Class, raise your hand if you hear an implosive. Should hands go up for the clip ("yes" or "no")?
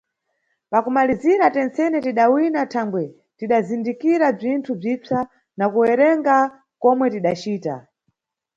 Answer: yes